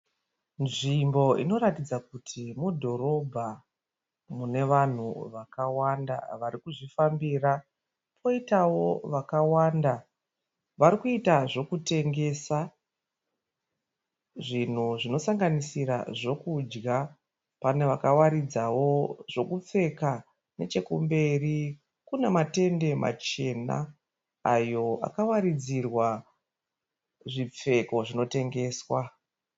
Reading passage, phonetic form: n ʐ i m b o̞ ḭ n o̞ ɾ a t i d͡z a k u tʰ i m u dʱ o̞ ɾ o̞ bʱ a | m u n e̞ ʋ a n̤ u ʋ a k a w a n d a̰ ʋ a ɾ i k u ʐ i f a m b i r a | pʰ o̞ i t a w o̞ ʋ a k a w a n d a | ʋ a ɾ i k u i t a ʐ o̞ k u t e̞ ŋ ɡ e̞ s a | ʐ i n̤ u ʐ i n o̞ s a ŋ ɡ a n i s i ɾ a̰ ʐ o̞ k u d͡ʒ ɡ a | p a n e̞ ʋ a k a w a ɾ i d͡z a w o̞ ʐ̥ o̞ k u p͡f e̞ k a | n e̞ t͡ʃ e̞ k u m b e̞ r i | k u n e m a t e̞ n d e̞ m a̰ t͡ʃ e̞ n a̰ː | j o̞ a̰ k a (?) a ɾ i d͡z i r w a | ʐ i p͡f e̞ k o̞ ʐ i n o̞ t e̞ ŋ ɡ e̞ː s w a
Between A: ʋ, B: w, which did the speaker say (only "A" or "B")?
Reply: B